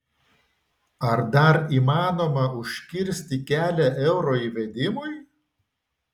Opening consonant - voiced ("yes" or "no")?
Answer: yes